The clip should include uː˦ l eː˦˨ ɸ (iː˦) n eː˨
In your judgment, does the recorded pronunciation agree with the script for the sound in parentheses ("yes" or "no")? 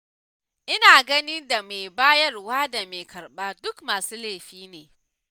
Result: yes